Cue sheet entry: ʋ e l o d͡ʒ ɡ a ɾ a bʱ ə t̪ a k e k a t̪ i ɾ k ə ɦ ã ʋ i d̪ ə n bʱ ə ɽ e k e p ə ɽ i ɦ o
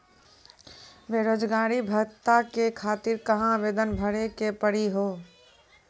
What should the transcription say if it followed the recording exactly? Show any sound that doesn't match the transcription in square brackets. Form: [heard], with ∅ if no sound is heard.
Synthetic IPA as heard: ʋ e [ɾ] o d͡ʒ ɡ a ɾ [i] bʱ ə t̪ a k e [kʰ] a t̪ i ɾ k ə ɦ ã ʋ [e] d̪ ə n bʱ ə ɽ e k e p ə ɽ i ɦ o